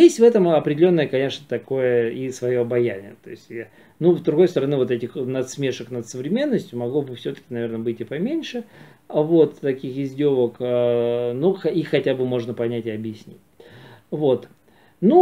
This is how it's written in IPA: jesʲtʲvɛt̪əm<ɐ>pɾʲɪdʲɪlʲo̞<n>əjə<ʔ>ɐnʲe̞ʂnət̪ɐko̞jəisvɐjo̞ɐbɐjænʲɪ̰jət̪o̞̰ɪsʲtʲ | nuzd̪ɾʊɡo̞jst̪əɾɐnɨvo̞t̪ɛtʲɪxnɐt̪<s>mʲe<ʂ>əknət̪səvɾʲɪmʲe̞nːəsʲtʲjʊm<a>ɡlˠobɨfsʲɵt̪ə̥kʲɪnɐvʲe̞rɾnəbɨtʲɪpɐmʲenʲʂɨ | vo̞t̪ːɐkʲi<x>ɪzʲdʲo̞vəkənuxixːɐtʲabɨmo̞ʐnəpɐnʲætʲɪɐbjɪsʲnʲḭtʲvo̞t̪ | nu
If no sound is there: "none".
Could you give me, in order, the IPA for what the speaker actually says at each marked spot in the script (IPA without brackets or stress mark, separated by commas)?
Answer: ɐ, nː, k, s, ʂ, ɐ, x